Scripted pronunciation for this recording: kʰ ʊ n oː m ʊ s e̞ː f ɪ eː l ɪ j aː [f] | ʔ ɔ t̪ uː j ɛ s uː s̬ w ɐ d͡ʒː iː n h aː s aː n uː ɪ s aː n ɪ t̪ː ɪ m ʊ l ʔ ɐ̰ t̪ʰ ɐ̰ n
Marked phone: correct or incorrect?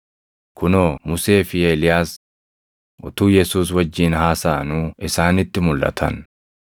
incorrect: s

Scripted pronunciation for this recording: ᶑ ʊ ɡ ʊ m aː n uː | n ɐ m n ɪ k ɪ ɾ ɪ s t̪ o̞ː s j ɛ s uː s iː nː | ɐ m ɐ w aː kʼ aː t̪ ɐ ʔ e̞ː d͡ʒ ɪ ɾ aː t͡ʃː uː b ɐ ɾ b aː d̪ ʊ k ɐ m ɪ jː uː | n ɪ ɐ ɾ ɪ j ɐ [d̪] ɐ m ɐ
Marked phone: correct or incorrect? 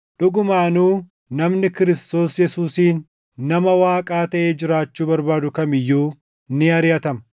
incorrect: t̪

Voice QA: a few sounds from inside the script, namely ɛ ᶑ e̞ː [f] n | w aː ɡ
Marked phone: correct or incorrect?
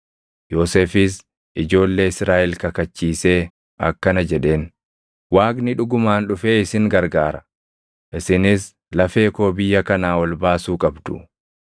incorrect: none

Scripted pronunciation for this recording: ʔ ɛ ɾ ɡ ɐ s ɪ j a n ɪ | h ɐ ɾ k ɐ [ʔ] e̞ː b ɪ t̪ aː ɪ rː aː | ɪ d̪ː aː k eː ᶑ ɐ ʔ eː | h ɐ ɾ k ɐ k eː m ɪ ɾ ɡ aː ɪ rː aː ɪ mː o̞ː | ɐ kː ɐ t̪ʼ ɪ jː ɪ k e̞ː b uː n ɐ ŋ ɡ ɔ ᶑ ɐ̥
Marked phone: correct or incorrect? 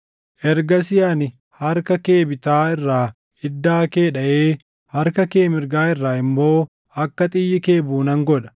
incorrect: k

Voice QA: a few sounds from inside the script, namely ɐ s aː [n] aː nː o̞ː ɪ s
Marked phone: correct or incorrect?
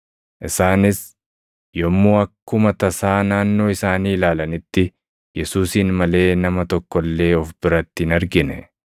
correct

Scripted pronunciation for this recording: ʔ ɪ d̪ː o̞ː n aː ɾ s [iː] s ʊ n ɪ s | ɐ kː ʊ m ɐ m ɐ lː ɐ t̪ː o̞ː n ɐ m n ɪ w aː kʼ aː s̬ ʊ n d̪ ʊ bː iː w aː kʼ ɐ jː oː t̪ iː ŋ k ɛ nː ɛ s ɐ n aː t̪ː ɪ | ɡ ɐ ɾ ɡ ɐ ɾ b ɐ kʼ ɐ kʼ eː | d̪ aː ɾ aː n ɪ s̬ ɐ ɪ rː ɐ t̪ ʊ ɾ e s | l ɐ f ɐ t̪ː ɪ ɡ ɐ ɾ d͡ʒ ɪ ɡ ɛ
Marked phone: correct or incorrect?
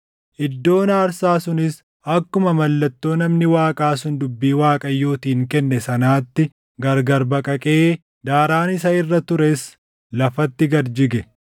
incorrect: aː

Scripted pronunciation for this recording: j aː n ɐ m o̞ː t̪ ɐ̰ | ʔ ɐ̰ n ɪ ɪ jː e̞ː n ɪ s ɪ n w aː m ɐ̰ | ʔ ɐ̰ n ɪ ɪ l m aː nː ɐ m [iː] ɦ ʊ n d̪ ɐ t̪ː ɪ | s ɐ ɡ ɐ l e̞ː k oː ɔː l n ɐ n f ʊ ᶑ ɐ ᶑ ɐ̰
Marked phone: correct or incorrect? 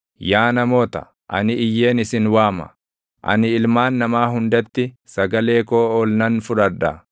incorrect: aː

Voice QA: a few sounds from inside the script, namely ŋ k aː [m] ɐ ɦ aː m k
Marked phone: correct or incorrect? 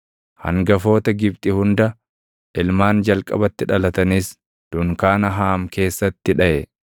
incorrect: n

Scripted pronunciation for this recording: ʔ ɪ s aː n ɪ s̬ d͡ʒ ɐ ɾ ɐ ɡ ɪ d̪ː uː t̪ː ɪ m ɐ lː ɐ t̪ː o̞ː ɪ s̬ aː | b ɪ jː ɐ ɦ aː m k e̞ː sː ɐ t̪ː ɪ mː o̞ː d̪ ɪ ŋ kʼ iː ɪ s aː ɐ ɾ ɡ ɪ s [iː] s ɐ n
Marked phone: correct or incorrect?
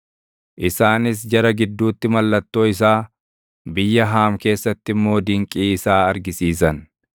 correct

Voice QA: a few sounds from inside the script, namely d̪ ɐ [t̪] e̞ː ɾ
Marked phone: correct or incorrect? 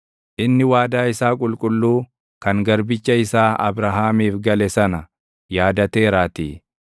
correct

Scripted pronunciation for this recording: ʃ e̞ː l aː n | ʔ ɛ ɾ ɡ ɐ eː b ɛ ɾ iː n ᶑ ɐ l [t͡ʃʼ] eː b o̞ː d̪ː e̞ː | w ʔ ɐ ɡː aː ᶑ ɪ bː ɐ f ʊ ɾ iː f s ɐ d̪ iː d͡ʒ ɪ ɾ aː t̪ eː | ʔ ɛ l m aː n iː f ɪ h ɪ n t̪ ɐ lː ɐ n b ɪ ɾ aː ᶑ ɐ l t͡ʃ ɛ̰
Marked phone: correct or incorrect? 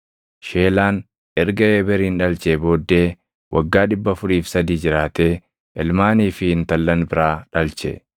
incorrect: t͡ʃ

